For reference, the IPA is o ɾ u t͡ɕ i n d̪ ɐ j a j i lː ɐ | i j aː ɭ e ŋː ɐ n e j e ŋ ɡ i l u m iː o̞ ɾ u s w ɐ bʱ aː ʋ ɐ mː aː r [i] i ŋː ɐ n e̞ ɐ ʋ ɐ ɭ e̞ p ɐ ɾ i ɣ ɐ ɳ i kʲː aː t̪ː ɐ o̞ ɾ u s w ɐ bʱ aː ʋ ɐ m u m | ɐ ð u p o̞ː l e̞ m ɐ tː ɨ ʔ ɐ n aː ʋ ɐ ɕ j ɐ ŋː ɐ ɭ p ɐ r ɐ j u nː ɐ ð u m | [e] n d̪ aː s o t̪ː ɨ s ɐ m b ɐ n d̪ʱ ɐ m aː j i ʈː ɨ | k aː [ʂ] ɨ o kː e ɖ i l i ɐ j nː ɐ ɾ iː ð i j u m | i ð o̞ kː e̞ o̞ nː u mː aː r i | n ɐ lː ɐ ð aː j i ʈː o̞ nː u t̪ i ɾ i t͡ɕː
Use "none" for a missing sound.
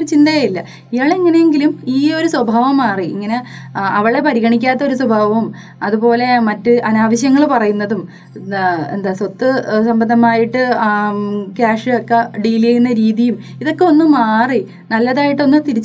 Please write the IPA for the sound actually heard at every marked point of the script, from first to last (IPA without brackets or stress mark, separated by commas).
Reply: i, e, ʂ